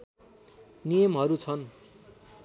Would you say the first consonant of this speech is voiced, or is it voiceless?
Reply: voiced